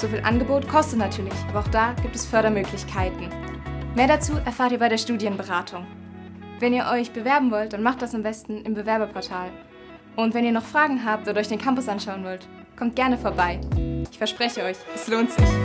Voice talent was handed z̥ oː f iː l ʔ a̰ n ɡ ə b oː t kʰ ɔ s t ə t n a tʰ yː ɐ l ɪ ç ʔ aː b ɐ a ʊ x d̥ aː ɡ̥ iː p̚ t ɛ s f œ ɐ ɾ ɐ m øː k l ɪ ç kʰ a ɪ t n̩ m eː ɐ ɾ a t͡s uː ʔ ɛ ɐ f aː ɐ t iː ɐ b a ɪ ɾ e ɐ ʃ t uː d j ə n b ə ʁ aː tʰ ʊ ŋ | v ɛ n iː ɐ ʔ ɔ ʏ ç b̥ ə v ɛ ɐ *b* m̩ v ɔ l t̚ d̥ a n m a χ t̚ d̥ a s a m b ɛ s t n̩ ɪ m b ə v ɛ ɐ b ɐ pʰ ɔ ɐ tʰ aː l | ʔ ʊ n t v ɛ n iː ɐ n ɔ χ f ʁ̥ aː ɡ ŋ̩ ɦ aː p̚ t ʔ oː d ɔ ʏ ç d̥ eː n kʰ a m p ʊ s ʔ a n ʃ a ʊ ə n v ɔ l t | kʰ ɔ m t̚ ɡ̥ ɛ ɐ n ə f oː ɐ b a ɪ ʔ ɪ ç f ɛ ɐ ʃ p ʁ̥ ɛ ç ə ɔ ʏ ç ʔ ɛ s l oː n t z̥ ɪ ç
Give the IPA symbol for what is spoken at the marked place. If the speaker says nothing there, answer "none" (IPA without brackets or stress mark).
b